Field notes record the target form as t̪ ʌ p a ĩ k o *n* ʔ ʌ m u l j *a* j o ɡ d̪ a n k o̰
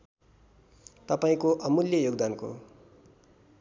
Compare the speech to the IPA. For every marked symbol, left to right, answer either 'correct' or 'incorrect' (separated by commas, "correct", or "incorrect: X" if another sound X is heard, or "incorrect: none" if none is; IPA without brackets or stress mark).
incorrect: none, incorrect: ʌ